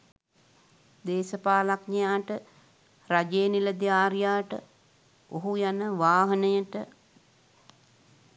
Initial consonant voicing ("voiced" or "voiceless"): voiced